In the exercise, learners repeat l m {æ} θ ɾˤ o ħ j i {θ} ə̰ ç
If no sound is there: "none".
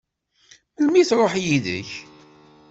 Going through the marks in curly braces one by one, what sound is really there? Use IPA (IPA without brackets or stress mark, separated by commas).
i, ð